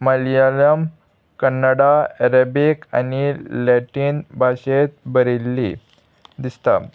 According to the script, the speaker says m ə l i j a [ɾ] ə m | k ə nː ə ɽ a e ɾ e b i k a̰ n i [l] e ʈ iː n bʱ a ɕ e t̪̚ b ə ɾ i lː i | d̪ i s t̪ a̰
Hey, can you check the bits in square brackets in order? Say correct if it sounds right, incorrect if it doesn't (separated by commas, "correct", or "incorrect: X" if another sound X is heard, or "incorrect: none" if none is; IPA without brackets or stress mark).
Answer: incorrect: l, correct